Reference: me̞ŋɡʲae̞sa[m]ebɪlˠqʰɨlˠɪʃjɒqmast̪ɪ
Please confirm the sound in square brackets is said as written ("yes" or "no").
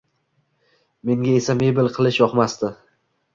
yes